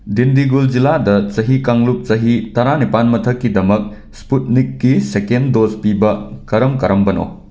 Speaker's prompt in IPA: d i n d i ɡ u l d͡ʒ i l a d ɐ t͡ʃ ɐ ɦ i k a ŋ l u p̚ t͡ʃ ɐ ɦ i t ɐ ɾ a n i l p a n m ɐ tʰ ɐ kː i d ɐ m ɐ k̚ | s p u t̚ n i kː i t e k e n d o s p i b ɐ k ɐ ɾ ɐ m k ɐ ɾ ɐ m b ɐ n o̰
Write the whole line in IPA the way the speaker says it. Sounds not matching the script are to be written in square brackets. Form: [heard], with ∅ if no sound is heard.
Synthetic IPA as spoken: d i n d i ɡ u l d͡ʒ i l a d ɐ t͡ʃ ɐ ɦ i k a ŋ l u p̚ t͡ʃ ɐ ɦ i t ɐ ɾ a n i [∅] p a n m ɐ tʰ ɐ kː i d ɐ m ɐ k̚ | s p u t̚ n i kː i [s] e k e n d o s p i b ɐ k ɐ ɾ ɐ m k ɐ ɾ ɐ m b ɐ n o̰